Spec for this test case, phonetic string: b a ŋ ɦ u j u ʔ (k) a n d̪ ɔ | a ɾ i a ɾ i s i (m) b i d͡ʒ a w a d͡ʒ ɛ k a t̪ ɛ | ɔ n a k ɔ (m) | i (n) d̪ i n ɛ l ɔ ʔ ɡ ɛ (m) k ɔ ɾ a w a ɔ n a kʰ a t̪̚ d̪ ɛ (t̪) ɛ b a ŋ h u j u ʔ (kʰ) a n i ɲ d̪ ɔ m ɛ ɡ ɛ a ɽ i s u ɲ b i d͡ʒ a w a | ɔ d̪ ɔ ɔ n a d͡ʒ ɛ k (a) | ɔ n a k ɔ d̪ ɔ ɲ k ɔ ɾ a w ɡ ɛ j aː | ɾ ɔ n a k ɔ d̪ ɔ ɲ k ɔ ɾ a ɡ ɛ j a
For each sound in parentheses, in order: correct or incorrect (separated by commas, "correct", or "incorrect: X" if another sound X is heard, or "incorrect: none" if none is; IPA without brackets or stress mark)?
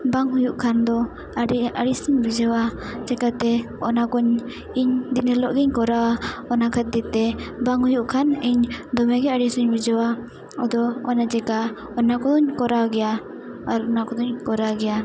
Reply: incorrect: kʰ, incorrect: ɲ, incorrect: ɲ, incorrect: ɲ, incorrect: ɲ, correct, correct, correct